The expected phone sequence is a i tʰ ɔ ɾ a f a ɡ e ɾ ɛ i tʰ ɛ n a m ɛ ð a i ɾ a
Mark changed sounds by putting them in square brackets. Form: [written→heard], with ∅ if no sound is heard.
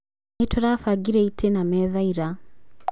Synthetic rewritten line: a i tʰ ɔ ɾ a f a ɡ [e→i] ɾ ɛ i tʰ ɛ n a m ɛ ð a i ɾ a